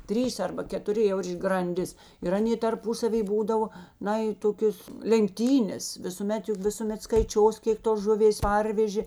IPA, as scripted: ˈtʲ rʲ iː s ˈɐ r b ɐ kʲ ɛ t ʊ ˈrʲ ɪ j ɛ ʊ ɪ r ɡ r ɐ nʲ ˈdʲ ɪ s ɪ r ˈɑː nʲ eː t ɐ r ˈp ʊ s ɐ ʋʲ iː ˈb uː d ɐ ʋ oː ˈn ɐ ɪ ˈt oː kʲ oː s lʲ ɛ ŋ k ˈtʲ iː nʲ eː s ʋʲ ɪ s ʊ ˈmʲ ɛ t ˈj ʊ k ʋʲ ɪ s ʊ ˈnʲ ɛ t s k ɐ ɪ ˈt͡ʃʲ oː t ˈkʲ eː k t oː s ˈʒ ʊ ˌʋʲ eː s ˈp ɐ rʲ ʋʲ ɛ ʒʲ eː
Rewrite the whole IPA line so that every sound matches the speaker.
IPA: ˈtʲ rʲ iː s ˈɐ r b ɐ kʲ ɛ t ʊ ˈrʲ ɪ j ɛ ʊ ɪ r ɡ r ɐ nʲ ˈdʲ ɪ s ɪ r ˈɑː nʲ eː t ɐ r ˈp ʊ s ɐ ʋʲ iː ˈb uː d ɐ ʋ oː ˈn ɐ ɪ ˈt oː kʲ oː s lʲ ɛ ŋ k ˈtʲ iː nʲ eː s ʋʲ ɪ s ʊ ˈmʲ ɛ t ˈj ʊ k ʋʲ ɪ s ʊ ˈmʲ ɛ t s k ɐ ɪ ˈt͡ʃʲ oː s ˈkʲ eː k t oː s ˈʒ ʊ ˌʋʲ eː s ˈp ɐ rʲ ʋʲ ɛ ʒʲ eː